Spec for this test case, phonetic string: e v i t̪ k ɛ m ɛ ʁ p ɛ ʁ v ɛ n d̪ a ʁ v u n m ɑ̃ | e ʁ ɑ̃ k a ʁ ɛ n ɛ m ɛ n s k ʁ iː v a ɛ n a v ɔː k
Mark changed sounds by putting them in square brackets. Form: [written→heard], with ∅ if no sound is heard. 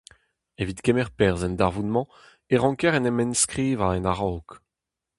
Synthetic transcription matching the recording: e v i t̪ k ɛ m ɛ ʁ p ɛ ʁ [v→z] ɛ n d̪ a ʁ v u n m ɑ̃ | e ʁ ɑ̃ k [a→ɛ] ʁ ɛ n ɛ m ɛ n s k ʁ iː v a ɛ n a [v→ʁ] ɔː k